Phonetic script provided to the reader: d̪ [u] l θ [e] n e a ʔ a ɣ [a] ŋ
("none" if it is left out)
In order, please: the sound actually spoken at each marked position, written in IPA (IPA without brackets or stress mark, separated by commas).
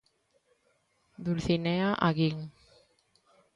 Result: u, i, i